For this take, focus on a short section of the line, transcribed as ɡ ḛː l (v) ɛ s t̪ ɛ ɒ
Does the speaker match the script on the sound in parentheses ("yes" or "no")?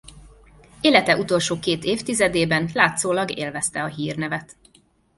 yes